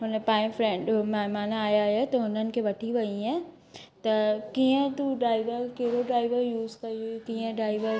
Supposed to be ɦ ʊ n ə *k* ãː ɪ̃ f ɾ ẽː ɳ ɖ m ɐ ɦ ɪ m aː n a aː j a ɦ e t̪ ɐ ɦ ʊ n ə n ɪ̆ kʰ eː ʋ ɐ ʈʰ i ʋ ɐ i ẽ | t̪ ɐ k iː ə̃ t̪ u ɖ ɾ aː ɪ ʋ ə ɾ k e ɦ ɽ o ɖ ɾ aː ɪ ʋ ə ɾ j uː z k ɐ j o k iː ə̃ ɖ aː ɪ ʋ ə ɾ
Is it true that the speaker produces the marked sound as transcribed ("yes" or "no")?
no